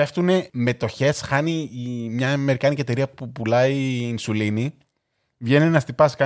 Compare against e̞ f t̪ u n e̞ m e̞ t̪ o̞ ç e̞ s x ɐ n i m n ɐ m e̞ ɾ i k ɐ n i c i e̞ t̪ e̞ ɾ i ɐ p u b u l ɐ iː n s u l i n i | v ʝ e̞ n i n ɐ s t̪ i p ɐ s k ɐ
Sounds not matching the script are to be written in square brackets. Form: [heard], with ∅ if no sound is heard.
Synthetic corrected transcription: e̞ f t̪ u n e̞ m e̞ t̪ o̞ ç e̞ s x ɐ n i m [ɲ] ɐ m e̞ ɾ i k ɐ n i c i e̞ t̪ e̞ ɾ i ɐ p u [p] u l ɐ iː n s u l i n i | v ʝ e̞ n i n ɐ s t̪ i p ɐ s k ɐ